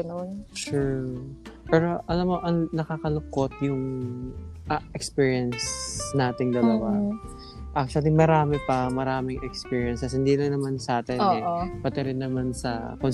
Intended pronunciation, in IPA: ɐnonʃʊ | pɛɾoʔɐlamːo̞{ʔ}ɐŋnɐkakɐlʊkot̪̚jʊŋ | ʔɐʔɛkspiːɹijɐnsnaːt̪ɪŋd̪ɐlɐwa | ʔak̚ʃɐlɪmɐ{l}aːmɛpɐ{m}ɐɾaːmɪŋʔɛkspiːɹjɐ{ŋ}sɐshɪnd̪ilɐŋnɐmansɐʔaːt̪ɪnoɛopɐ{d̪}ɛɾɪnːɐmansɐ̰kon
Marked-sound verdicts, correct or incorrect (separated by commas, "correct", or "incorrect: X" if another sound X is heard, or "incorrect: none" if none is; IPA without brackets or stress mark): correct, incorrect: ɾ, correct, incorrect: n, incorrect: t̪